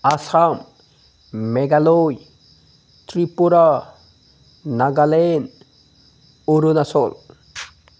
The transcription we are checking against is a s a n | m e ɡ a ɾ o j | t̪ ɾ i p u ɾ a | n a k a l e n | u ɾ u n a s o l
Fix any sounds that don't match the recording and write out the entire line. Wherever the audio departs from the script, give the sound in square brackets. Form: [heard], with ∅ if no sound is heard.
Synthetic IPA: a s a [m] | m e ɡ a [l] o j | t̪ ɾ i p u ɾ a | n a [ɡ] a l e n | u ɾ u n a s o l

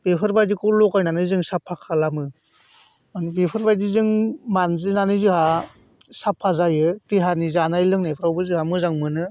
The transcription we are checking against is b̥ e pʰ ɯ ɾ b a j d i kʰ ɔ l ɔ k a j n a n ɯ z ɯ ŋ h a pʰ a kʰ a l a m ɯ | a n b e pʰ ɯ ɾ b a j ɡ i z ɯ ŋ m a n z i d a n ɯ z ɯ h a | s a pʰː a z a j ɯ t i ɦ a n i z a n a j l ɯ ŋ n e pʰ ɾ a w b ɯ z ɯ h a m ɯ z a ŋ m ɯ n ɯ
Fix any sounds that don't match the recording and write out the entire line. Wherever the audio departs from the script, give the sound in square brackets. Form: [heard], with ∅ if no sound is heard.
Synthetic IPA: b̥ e pʰ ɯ ɾ b a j d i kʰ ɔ l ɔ k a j n a n ɯ z ɯ ŋ [s] a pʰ a kʰ a l a m ɯ | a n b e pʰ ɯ ɾ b a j [d] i z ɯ ŋ m a n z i [n] a n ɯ z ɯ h a | s a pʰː a z a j ɯ t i ɦ a n i z a n a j l ɯ ŋ n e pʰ ɾ a w b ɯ z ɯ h a m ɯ z a ŋ m ɯ n ɯ

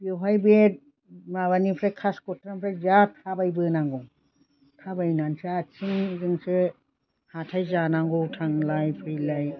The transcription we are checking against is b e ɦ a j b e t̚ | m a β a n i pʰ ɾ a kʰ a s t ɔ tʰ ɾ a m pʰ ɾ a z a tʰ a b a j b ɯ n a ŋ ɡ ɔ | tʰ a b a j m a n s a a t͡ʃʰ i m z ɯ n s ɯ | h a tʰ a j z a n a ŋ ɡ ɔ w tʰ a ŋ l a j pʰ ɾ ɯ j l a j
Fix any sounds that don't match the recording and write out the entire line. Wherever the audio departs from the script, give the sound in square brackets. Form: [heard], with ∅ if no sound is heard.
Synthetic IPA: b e ɦ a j b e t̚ | m a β a n i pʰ ɾ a kʰ a s [k] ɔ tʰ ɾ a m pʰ ɾ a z a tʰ a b a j b ɯ n a ŋ ɡ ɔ | tʰ a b a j [n] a n s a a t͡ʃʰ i [ŋ] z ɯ [ŋ] s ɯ | h a tʰ a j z a n a ŋ ɡ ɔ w tʰ a ŋ l a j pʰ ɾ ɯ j l a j

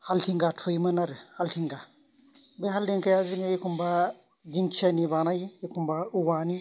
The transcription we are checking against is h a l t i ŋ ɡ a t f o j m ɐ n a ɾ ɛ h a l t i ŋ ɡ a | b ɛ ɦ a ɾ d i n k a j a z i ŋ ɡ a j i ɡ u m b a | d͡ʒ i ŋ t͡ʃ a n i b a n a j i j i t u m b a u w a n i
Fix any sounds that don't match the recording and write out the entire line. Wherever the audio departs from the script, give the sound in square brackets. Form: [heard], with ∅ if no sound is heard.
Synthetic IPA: h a l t i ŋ ɡ a t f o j m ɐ n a ɾ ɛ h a l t i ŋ ɡ a | b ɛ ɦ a [l] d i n k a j a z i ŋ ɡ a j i [k] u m b a | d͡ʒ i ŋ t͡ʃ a n i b a n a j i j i [k] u m b a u w a n i

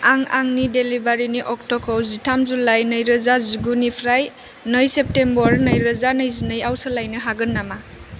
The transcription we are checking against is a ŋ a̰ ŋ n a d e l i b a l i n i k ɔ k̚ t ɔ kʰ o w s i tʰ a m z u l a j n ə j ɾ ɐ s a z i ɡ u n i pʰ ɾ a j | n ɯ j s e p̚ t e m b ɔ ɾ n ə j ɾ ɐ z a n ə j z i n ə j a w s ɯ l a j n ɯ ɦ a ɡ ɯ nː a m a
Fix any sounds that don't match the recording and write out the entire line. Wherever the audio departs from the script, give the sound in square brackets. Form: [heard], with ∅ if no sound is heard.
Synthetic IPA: a ŋ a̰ ŋ n [i] d e l i b a [ɾ] i n i [ʔ] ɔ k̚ t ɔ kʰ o w [z] i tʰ a m z u l a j n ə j ɾ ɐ [z] a z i ɡ u n i pʰ ɾ a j | n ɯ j s e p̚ t e m b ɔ ɾ n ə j ɾ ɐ z a n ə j z i n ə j a w s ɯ l a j n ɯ ɦ a ɡ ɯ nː a m a

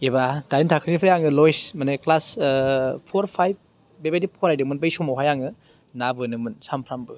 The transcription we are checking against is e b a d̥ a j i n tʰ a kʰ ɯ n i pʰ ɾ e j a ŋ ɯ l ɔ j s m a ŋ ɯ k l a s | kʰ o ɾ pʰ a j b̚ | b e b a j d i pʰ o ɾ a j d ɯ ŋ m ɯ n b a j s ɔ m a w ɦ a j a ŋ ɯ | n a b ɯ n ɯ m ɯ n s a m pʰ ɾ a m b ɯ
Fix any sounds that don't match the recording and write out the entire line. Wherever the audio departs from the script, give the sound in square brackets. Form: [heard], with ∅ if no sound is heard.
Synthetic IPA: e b a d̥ a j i n tʰ a kʰ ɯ n i pʰ ɾ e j a ŋ ɯ l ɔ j s m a [n] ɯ k l a s | [pʰ] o ɾ pʰ a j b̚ | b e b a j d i pʰ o ɾ a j d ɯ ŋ m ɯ n b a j s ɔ m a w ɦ a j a ŋ ɯ | n a b ɯ n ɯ m ɯ n s a m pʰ ɾ a m b ɯ

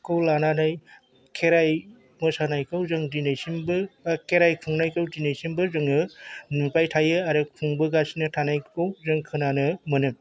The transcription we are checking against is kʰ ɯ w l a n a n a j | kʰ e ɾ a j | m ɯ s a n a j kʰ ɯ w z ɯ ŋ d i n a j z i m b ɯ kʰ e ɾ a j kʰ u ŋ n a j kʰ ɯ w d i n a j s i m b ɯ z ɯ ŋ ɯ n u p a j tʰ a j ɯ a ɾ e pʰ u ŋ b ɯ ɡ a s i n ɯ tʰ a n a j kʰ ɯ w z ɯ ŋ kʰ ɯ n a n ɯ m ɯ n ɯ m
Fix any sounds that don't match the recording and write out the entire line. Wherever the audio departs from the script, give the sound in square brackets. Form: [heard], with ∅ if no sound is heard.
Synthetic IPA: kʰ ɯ w l a n a n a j | kʰ e ɾ a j | m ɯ s a n a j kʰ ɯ w z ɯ ŋ d i n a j [s] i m b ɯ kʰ e ɾ a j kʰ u ŋ n a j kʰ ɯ w d i n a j s i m b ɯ z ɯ ŋ ɯ n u p a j tʰ a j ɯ a ɾ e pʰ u ŋ b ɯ ɡ a s i n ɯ tʰ a n a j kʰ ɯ w z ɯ ŋ kʰ ɯ n a n ɯ m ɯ n ɯ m

